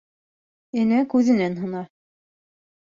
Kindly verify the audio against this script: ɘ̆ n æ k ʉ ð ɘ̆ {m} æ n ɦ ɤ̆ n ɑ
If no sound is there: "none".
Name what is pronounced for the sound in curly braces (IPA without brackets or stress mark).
n